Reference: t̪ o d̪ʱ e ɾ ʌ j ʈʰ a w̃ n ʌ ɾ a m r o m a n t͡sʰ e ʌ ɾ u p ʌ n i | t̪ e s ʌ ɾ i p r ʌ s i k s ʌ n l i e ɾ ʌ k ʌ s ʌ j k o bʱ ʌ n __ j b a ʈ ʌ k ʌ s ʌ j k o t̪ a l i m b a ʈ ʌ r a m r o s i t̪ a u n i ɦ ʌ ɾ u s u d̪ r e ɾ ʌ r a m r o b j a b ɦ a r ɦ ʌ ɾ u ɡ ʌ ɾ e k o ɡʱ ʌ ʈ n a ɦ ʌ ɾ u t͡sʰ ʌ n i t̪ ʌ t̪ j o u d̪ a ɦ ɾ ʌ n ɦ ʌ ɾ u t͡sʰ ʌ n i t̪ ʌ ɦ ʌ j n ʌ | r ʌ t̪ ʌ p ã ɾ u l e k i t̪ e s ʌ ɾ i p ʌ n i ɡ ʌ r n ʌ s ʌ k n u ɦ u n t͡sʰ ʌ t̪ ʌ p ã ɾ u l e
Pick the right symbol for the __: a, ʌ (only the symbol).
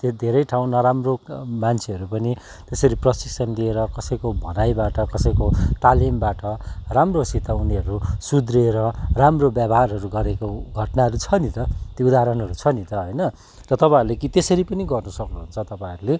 a